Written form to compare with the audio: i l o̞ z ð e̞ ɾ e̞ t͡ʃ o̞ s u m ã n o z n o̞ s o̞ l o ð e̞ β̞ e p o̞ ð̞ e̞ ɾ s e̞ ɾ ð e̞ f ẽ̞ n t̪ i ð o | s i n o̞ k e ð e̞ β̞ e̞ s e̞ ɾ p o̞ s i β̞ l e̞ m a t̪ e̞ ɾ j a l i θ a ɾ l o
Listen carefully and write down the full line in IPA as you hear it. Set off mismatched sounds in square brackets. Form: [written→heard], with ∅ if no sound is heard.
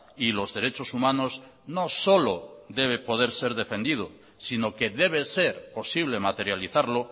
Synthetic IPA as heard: i l o̞ z ð e̞ ɾ e̞ t͡ʃ o̞ s u m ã n o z n o̞ s o̞ l o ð e̞ β̞ e p o̞ ð̞ e̞ ɾ s e̞ ɾ ð e̞ f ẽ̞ n [t̪→d̪] i ð o | s i n o̞ k e ð e̞ β̞ e̞ s e̞ ɾ p o̞ s i β̞ l e̞ m a t̪ e̞ ɾ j a l i θ a ɾ l o